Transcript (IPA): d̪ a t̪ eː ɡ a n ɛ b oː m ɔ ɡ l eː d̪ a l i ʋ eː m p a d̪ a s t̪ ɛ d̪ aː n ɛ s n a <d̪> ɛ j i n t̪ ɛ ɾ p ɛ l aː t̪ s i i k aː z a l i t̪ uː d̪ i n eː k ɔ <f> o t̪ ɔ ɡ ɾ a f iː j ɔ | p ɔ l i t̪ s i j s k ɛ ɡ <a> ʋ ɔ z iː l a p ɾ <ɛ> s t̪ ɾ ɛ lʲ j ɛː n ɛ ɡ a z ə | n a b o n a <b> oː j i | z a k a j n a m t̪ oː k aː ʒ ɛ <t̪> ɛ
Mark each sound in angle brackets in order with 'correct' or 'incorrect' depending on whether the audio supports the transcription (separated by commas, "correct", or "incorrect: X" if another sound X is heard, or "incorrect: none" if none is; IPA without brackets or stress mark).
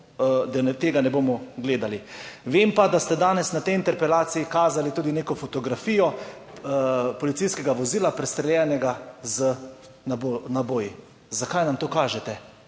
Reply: incorrect: t̪, correct, correct, correct, correct, correct